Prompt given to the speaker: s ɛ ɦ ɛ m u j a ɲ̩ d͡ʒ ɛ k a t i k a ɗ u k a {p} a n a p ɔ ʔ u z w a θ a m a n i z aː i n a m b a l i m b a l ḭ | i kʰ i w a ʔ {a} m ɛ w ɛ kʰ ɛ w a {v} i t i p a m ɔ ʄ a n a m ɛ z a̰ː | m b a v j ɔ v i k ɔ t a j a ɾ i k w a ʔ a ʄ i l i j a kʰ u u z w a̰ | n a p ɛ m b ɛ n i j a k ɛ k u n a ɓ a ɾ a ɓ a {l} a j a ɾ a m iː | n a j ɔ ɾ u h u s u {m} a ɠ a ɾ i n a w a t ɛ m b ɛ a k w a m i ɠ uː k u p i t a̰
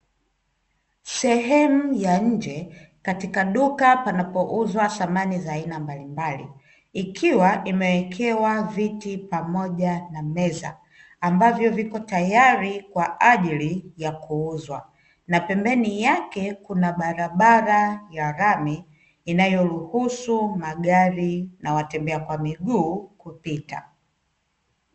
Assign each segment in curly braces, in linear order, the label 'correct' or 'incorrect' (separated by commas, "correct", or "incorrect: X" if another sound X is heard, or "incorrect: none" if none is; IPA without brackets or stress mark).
correct, incorrect: i, correct, incorrect: ɾ, correct